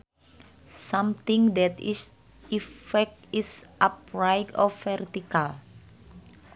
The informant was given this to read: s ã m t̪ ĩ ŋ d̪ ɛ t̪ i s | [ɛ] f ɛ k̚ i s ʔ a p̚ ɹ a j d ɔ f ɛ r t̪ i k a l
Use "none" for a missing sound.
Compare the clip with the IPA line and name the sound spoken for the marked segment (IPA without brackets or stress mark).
i